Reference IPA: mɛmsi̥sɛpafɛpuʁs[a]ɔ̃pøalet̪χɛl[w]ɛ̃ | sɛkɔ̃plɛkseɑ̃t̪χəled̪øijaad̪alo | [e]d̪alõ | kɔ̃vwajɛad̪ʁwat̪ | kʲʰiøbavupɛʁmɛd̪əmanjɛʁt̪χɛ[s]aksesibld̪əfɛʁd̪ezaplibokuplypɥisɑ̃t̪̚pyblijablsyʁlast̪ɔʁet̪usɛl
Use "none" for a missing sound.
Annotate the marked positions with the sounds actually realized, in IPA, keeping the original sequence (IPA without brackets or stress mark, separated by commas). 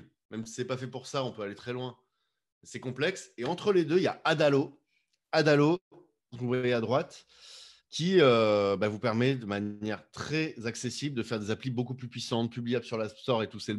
a, w, a, z